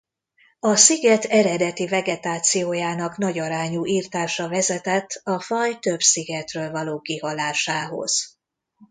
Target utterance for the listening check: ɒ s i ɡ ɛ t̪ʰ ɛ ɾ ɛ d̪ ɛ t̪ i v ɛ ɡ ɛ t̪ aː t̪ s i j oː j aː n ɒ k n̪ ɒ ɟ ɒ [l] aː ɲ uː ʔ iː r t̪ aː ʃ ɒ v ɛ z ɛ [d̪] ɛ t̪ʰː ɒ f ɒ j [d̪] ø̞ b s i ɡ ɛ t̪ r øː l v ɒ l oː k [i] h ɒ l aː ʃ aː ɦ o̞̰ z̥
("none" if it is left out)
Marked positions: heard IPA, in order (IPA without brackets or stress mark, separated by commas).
ɾ, t̪, t̪, i